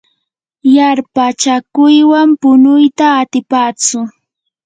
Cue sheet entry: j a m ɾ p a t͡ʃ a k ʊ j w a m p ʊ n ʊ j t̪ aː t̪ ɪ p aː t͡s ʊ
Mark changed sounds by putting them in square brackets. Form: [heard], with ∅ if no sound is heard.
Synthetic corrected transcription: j a [∅] ɾ p a t͡ʃ a k ʊ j w a m p ʊ n ʊ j t̪ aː t̪ ɪ p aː t͡s ʊ